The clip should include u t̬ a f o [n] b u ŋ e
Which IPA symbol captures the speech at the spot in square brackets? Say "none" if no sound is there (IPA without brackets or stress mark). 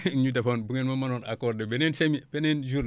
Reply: n